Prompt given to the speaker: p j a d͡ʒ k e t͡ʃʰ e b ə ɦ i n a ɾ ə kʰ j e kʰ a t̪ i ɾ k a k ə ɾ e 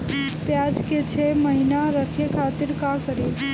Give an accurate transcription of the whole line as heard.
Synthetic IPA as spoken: p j a d͡ʒ k e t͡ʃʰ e m ə ɦ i n a ɾ ə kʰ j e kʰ a t̪ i ɾ k a k ə ɾ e